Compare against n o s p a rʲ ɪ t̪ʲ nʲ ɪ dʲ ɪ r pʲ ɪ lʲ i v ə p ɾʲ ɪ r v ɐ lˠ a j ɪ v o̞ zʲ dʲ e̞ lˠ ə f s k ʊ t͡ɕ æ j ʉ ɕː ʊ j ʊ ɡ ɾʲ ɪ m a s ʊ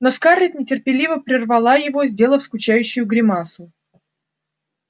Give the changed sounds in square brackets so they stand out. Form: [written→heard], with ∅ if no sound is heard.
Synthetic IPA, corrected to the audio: n o s [p→k] a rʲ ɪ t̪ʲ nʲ ɪ [dʲ→tʲ] ɪ r pʲ ɪ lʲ i v ə p ɾʲ ɪ r v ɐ lˠ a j ɪ v o̞ zʲ dʲ e̞ lˠ ə f s k ʊ t͡ɕ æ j ʉ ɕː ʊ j ʊ ɡ ɾʲ ɪ m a s ʊ